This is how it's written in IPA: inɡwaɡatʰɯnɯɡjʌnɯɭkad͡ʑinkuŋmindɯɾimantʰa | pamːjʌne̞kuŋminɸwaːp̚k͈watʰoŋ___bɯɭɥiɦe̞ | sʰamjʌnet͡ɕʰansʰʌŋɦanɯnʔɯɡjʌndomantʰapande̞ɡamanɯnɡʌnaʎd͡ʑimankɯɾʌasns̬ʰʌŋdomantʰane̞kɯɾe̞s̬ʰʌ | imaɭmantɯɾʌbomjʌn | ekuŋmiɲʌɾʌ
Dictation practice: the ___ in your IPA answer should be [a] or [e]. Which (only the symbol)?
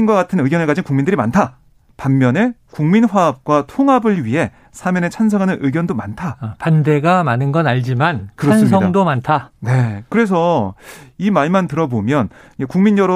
a